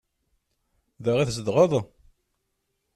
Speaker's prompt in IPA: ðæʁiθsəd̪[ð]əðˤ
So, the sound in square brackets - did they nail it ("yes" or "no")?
no